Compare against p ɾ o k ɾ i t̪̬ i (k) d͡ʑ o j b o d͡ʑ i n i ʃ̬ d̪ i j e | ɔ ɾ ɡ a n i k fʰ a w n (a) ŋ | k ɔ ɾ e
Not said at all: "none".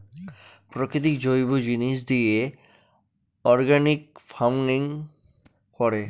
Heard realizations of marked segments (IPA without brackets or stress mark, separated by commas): k, i